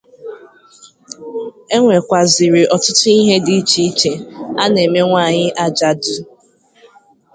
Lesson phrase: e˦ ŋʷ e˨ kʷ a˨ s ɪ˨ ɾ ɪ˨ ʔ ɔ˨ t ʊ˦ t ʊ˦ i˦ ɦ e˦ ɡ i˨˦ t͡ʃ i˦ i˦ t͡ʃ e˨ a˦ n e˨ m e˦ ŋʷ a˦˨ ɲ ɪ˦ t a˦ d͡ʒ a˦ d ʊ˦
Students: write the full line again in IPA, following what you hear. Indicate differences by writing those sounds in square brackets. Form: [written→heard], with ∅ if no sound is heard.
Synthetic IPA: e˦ ŋʷ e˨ kʷ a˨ [s→z] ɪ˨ ɾ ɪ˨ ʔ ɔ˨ t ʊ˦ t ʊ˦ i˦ ɦ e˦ [ɡ→d] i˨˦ t͡ʃ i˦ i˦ t͡ʃ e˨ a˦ n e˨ m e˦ ŋʷ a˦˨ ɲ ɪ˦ [t→ʔ] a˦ d͡ʒ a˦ d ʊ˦